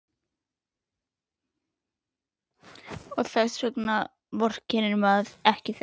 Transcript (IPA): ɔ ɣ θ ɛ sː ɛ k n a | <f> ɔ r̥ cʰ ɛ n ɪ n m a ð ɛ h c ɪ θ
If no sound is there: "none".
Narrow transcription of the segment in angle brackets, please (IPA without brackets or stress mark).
v